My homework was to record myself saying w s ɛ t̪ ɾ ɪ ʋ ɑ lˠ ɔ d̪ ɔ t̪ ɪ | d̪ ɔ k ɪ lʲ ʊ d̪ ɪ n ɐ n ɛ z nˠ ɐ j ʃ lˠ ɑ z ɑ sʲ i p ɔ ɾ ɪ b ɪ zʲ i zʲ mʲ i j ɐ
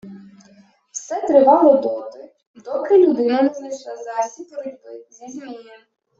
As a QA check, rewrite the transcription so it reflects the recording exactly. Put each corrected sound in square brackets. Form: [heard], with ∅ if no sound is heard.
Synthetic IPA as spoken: w s ɛ t̪ ɾ ɪ ʋ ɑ lˠ ɔ d̪ ɔ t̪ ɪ | d̪ ɔ k ɪ lʲ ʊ d̪ ɪ n ɐ n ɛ z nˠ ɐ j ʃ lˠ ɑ z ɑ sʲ i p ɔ ɾ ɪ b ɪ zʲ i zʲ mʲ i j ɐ